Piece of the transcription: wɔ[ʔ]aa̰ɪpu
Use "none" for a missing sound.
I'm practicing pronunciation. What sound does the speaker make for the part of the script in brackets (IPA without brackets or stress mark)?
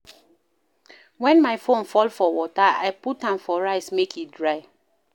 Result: t